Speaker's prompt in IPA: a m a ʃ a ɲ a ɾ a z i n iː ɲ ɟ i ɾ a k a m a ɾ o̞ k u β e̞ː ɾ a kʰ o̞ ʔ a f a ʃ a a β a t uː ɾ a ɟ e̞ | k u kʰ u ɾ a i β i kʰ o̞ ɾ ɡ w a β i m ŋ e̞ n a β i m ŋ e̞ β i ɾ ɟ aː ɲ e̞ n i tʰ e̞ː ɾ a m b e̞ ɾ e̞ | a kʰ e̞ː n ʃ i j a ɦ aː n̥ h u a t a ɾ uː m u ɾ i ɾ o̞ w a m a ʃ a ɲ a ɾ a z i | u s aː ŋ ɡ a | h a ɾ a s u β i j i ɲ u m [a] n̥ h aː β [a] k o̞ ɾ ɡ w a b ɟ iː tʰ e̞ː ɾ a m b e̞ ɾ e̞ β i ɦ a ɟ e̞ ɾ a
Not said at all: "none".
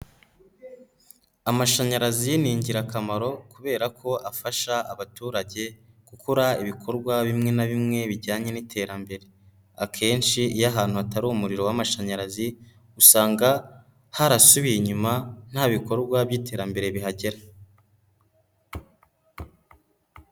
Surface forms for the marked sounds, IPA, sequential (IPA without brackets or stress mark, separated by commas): a, i